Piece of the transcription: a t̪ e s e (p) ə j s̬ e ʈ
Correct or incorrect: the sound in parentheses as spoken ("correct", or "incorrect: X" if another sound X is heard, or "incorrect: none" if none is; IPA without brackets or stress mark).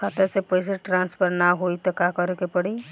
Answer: correct